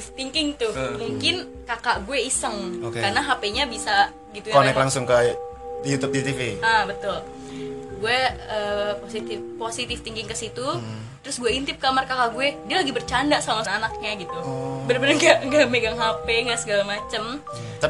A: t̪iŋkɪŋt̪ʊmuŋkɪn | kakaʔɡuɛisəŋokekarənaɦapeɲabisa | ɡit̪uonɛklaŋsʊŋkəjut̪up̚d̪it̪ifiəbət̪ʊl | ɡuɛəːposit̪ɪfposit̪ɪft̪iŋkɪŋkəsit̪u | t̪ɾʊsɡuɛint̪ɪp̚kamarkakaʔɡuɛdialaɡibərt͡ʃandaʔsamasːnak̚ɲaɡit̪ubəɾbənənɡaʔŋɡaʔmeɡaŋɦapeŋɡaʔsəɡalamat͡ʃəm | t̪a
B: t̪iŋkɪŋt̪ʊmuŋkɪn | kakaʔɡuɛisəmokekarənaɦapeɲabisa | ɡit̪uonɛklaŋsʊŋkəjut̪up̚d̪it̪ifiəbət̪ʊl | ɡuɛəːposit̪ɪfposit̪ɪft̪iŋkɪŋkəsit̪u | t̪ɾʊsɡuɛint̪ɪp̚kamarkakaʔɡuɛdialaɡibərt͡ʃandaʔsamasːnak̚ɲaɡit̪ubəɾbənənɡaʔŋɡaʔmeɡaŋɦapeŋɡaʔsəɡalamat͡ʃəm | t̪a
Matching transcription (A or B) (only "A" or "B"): A